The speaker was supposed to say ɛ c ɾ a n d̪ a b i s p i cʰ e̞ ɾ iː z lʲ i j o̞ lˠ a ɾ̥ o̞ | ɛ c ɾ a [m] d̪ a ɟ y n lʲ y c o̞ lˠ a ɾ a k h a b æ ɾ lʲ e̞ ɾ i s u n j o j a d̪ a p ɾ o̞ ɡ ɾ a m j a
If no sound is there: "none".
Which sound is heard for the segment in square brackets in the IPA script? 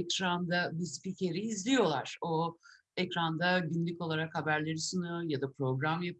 n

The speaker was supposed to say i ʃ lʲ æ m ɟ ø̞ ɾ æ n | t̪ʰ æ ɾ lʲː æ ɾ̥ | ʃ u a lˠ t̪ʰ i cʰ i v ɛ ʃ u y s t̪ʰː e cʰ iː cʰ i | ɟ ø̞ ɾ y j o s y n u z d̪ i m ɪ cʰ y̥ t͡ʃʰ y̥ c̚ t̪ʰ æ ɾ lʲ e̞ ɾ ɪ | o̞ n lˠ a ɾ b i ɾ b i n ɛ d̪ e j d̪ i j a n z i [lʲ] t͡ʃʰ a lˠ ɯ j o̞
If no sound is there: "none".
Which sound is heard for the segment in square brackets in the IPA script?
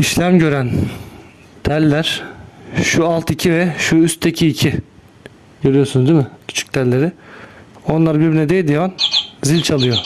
lʲ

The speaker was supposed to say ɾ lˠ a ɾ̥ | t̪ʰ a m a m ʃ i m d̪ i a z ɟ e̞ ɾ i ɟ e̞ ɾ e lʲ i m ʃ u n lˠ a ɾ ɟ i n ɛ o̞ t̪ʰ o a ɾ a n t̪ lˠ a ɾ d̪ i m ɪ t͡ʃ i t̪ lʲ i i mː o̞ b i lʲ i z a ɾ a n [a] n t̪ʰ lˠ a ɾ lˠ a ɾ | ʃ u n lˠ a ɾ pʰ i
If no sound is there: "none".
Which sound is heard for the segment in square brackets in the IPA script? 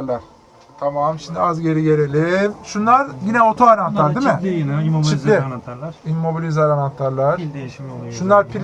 a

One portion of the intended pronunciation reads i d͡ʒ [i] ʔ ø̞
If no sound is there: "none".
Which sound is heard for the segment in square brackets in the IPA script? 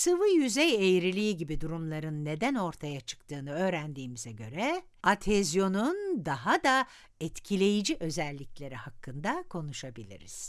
i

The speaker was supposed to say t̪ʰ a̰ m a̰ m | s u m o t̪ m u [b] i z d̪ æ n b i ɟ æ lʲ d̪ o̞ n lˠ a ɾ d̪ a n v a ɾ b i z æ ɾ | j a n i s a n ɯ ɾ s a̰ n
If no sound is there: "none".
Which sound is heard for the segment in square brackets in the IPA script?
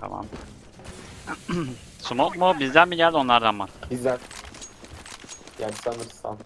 b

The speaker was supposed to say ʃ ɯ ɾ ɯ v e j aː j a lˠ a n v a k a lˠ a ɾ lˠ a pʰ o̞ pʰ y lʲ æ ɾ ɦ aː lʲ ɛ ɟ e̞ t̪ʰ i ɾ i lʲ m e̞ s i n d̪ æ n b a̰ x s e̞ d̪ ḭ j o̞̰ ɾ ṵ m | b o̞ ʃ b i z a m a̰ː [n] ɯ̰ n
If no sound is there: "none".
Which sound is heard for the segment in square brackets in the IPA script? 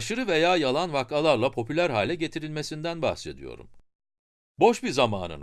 n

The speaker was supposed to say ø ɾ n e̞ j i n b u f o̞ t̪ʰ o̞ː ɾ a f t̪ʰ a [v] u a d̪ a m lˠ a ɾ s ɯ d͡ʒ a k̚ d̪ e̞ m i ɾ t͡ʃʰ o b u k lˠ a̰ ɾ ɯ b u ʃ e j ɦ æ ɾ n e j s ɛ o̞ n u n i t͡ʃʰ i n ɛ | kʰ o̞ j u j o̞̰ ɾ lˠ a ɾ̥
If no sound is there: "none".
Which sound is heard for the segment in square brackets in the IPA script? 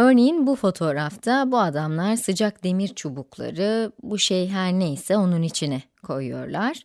b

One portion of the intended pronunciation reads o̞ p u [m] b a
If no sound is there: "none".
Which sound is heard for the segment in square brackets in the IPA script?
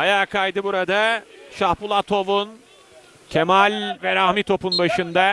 n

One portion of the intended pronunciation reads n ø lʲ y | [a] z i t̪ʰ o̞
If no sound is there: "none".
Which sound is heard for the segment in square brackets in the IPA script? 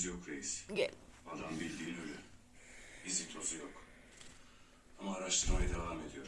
i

